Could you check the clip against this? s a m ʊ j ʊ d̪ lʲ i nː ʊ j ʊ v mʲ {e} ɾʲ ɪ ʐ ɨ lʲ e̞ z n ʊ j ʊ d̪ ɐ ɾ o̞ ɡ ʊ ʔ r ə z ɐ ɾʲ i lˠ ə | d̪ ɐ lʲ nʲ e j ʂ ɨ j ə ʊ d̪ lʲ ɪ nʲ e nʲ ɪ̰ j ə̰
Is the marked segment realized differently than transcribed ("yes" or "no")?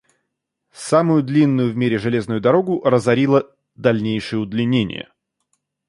no